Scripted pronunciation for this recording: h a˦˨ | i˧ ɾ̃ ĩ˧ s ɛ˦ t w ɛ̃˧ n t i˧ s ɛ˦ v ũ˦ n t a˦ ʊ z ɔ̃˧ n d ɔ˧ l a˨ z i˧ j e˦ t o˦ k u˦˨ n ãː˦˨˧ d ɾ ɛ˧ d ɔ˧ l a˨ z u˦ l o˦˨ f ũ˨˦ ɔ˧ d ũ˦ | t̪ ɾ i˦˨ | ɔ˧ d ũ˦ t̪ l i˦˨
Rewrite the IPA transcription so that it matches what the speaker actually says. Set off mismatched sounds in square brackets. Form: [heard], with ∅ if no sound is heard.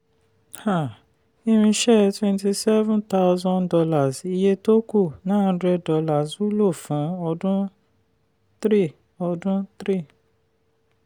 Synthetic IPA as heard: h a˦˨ | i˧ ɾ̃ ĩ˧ [ʃ] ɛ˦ t w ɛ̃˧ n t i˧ s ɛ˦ v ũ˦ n t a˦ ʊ z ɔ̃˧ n d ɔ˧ l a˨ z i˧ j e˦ t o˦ k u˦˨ n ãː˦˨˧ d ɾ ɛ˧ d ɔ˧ l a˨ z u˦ l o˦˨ f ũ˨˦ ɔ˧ d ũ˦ | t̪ ɾ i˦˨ | ɔ˧ d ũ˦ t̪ [ɾ] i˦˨